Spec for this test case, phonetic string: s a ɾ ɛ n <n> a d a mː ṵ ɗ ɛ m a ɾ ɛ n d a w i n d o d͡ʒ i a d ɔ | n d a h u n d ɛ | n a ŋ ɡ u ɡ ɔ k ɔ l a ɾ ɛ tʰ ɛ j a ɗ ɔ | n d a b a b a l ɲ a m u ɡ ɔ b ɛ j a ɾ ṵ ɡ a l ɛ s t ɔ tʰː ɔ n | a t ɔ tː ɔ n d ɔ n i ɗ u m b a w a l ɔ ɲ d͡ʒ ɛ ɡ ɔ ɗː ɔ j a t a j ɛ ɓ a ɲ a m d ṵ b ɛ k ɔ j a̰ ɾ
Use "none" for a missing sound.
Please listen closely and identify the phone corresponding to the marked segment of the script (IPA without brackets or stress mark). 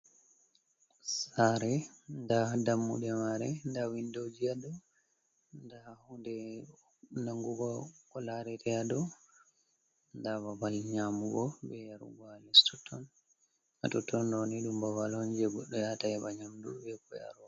d